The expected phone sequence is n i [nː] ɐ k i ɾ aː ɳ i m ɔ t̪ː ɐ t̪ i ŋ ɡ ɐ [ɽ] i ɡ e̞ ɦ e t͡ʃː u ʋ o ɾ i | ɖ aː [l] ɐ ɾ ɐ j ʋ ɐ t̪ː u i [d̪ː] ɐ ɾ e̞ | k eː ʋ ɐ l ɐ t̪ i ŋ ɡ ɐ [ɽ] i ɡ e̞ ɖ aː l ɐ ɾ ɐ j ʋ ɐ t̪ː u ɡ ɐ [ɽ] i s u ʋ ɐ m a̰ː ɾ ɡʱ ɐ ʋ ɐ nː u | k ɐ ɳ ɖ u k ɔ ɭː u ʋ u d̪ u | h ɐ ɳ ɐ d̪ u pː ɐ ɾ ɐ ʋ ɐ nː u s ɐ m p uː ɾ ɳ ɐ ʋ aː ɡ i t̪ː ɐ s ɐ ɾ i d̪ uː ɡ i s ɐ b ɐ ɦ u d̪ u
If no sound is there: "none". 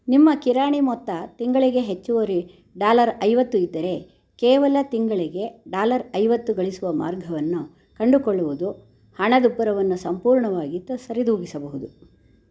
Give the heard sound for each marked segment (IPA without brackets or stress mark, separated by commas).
mː, ɭ, l, d̪ː, ɭ, ɭ